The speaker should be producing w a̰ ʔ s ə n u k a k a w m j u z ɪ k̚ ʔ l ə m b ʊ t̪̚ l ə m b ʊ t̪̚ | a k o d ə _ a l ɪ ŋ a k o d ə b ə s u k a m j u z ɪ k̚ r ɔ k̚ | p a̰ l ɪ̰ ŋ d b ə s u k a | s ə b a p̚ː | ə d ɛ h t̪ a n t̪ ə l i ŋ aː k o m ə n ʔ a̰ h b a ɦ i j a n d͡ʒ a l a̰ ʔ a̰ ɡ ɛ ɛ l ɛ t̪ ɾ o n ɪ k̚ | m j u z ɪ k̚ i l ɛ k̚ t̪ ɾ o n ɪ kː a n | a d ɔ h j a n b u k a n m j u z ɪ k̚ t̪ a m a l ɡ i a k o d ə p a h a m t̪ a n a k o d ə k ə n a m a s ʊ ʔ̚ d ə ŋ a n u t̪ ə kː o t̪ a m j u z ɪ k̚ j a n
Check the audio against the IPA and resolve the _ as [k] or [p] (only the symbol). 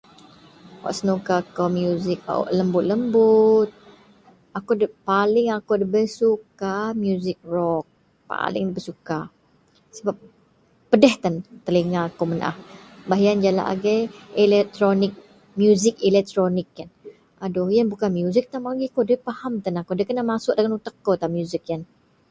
p